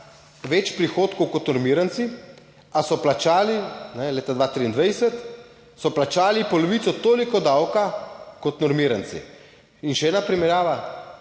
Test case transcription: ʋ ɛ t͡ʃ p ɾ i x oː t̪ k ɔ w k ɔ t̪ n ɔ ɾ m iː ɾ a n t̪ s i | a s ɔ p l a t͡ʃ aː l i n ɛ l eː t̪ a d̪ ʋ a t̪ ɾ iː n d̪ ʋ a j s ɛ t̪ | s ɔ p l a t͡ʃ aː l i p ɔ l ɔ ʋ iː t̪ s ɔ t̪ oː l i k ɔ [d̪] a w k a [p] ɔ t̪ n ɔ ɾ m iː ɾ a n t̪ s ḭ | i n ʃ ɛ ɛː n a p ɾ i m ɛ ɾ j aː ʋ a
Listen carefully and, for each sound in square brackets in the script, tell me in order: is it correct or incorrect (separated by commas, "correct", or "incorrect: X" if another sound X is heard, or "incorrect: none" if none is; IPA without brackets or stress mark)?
correct, incorrect: k